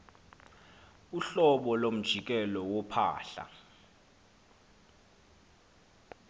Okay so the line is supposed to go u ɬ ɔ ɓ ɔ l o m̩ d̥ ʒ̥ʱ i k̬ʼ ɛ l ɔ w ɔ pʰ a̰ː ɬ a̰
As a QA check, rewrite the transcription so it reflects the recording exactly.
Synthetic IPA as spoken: u ɬ ɔ ɓ ɔ l o m̩ d̥ ʒ̥ʱ i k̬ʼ ɛ l ɔ w ɔ pʰ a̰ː ɬ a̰